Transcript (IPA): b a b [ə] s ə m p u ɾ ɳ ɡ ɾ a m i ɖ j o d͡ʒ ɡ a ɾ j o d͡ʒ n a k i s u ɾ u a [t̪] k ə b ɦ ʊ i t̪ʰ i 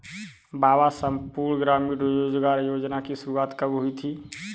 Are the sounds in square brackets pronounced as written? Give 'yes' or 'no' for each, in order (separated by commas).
no, yes